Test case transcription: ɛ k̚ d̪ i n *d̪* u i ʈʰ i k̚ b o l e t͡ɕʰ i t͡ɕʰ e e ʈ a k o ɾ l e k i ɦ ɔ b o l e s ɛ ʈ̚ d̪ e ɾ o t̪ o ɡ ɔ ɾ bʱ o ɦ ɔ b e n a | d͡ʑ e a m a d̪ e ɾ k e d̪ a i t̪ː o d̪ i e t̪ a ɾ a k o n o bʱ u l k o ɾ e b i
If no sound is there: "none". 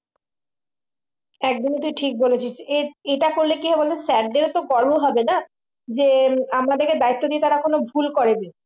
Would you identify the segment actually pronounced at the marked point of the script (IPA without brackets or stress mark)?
t̪